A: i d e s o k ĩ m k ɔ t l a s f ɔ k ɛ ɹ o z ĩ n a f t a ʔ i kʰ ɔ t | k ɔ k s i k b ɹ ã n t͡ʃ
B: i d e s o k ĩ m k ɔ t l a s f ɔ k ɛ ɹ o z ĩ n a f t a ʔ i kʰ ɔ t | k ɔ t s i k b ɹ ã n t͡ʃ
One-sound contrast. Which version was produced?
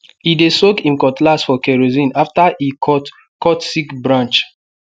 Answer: B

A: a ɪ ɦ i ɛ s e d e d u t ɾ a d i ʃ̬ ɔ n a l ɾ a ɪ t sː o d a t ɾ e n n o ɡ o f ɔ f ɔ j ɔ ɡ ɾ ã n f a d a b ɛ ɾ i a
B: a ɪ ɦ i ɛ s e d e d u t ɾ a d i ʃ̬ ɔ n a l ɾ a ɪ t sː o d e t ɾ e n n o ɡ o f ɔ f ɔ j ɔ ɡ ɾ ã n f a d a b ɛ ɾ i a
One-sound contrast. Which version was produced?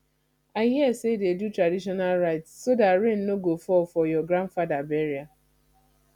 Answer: A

